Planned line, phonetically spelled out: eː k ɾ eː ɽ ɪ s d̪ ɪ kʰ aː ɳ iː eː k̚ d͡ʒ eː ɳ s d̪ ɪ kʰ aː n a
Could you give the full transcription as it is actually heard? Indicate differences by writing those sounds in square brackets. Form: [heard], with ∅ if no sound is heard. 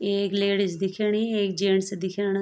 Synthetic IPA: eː k [l] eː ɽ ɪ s d̪ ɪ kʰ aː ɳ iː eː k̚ d͡ʒ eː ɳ s d̪ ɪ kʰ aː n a